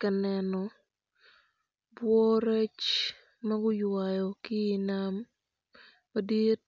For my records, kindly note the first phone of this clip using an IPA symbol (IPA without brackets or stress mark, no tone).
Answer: k